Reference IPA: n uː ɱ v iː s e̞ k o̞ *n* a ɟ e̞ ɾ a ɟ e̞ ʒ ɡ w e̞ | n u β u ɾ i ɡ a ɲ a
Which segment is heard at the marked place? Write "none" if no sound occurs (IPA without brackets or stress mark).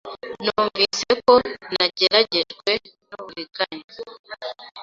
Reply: n